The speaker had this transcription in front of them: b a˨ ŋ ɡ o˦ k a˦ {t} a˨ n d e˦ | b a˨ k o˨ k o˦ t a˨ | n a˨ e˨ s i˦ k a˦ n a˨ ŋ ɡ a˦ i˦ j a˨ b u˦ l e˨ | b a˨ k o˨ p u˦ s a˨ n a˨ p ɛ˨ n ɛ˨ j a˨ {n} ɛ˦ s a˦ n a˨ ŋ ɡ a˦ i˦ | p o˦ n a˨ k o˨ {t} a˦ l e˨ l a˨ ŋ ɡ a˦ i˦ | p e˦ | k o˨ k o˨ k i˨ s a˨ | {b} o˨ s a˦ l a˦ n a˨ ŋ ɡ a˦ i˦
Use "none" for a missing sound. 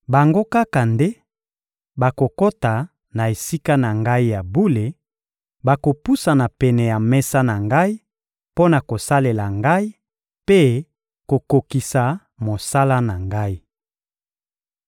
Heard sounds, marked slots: k, m, s, m

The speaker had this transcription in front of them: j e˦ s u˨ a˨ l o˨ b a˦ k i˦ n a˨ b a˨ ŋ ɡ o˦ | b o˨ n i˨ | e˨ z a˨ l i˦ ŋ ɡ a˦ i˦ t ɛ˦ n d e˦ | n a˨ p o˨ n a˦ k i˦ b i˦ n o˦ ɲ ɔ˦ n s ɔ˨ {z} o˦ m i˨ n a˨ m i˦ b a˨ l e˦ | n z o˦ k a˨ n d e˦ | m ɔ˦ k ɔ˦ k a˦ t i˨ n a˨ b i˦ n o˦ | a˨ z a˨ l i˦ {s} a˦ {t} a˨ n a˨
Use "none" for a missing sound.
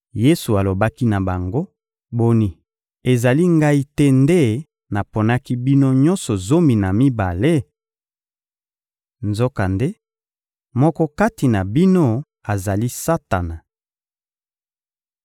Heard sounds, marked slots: z, s, t

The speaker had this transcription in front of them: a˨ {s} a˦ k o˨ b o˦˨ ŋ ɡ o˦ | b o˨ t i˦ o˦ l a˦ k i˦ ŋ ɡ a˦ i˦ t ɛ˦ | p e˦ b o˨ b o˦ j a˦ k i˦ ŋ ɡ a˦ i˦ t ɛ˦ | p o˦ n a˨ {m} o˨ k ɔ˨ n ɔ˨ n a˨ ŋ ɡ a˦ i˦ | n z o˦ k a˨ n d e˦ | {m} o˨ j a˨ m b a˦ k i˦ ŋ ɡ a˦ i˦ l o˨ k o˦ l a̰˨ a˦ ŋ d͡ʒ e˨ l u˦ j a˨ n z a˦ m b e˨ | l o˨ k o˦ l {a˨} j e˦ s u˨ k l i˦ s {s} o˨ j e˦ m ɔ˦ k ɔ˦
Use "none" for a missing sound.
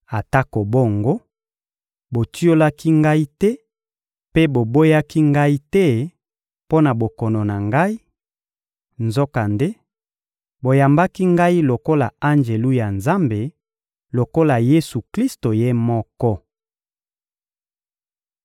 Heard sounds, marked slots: t, b, b, a˨, t

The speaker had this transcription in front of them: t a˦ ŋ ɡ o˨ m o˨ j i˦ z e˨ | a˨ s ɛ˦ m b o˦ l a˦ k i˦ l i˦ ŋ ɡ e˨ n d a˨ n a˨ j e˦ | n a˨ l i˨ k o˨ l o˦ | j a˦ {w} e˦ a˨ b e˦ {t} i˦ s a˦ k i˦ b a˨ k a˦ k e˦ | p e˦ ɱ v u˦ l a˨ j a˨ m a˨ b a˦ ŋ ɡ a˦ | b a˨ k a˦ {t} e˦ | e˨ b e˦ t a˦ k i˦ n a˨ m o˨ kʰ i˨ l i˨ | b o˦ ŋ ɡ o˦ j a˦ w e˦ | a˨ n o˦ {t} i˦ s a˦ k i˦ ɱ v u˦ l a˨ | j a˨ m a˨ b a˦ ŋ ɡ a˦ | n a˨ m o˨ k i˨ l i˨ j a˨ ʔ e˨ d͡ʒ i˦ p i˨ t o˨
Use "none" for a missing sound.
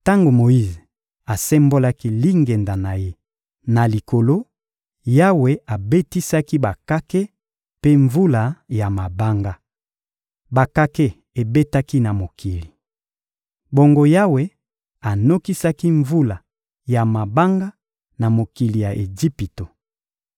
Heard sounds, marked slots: w, t, k, k

